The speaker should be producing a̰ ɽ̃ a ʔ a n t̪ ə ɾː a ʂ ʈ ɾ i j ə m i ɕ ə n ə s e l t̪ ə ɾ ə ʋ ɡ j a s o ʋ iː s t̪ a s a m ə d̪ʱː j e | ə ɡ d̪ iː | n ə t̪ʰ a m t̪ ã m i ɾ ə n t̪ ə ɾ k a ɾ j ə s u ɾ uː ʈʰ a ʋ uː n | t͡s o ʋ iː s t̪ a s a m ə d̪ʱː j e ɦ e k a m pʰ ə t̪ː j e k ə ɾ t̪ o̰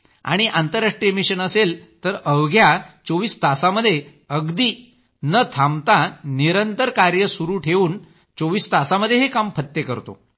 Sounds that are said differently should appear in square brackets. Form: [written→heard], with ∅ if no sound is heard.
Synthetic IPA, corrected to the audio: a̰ ɽ̃ [a→i] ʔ a n t̪ ə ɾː a ʂ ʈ ɾ i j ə m i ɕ ə n ə s e l t̪ ə ɾ ə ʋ ɡ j a [s→t͡s] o ʋ iː s t̪ a s a m ə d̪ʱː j e | ə ɡ d̪ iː | n ə t̪ʰ a m t̪ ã [m→n] i ɾ ə n t̪ ə ɾ k a ɾ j ə s u ɾ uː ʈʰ [a→e] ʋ uː n | t͡s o ʋ iː s t̪ a s a m ə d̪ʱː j e ɦ e k a m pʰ ə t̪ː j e k ə ɾ t̪ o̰

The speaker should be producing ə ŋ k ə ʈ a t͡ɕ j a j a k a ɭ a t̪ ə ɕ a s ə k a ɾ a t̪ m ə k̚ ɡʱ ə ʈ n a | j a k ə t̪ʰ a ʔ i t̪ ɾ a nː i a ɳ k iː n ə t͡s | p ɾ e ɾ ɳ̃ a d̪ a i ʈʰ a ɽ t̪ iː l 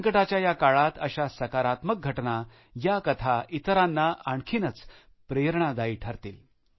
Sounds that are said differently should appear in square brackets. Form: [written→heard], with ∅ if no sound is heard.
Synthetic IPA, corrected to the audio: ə ŋ k ə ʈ a t͡ɕ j a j a k a ɭ a t̪ ə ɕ a s ə k a ɾ a t̪ m ə k̚ ɡʱ ə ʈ n a | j a k ə t̪ʰ a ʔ i t̪ ɾ a nː [i→a] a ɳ [k→kʰ] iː n ə t͡s | p ɾ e ɾ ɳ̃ a d̪ a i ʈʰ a [ɽ→ɾ] t̪ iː l

